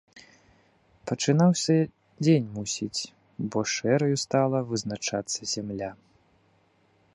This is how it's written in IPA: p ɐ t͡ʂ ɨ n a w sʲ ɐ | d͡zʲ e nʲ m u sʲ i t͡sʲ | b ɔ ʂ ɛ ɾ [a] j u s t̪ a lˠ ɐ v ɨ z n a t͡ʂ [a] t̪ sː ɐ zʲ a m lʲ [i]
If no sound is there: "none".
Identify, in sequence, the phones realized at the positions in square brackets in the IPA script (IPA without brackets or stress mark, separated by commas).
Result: ɐ, a, a